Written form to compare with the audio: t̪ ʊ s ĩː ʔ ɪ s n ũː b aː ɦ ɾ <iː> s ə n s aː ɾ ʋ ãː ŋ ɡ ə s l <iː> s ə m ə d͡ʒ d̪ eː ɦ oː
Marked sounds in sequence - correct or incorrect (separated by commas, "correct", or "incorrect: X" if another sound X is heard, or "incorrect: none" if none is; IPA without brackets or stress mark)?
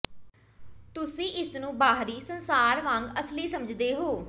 correct, correct